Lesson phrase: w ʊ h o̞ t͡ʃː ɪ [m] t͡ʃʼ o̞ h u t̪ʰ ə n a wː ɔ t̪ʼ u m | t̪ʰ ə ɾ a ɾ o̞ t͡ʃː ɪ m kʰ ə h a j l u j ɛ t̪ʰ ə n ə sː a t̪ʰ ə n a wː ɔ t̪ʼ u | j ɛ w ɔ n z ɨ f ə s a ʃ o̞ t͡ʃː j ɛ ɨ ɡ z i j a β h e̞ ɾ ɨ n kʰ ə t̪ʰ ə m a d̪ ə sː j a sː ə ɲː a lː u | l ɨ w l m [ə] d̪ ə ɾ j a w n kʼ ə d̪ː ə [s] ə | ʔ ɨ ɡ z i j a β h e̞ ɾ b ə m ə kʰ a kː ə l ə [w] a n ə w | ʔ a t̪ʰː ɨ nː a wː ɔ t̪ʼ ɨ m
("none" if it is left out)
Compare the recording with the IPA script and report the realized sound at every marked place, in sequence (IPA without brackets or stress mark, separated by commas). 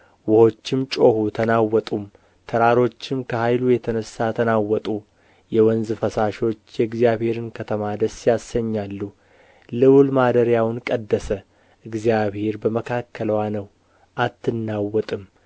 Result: m, a, s, w